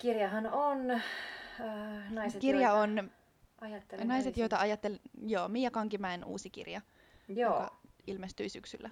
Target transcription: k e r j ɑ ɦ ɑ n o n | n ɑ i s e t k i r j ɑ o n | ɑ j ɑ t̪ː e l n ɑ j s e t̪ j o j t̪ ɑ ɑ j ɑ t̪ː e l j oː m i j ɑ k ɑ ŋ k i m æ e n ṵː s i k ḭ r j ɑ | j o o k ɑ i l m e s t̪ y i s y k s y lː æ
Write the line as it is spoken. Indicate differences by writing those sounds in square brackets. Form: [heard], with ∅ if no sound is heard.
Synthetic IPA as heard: k [i] r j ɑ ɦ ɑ n o n | n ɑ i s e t k i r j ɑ o n | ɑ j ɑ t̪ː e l n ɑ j s e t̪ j o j t̪ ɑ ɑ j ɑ t̪ː e l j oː m i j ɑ k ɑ ŋ k i m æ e n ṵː s i k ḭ r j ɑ | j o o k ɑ i l m e s t̪ y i s y k s y lː æ